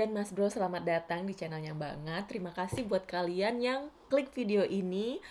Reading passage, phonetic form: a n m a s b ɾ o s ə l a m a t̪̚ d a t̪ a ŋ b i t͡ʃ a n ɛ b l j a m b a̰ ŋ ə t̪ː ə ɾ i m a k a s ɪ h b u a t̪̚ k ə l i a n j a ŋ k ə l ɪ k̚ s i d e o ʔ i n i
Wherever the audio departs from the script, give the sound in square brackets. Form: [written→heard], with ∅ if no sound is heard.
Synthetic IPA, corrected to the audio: a n m a s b ɾ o s ə l a m a t̪̚ d a t̪ a ŋ [b→d] i t͡ʃ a n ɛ [b→∅] l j a [m→ŋ] b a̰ ŋ ə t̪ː ə ɾ i m a k a s ɪ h b u a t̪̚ k [ə→a] l i a n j a ŋ k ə l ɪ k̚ [s→f] i d e o ʔ i n i